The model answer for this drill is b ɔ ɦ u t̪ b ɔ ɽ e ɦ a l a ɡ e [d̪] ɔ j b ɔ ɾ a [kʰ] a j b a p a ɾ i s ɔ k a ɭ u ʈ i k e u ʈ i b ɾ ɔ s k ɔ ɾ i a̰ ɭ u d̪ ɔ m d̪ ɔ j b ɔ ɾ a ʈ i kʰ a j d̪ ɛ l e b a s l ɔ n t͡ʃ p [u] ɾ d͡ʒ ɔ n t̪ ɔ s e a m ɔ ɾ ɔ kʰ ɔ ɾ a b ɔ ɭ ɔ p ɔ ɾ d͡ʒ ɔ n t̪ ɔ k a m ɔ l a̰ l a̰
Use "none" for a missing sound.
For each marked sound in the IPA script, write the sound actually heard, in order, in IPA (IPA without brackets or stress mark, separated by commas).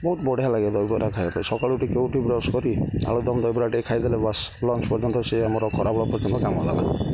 d̪, kʰ, ɔ